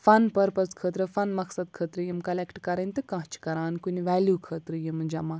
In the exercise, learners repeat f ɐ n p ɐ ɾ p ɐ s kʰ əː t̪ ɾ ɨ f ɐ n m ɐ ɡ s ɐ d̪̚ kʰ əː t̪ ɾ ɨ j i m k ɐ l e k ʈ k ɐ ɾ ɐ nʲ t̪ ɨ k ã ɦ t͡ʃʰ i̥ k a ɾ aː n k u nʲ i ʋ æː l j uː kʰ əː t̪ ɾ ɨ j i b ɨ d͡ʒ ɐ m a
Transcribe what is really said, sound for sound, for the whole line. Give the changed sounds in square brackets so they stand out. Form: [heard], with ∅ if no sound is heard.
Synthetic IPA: f ɐ n p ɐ ɾ p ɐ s kʰ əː t̪ ɾ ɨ f ɐ n m ɐ [k] s ɐ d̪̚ kʰ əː t̪ ɾ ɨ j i m k ɐ l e k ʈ k ɐ ɾ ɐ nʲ t̪ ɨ k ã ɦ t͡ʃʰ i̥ k [ɐ] ɾ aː n k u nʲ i ʋ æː l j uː kʰ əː t̪ ɾ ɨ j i [m] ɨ d͡ʒ ɐ m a